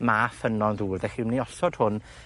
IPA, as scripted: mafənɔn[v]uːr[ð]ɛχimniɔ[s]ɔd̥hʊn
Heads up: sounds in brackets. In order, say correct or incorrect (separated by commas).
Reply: incorrect, correct, correct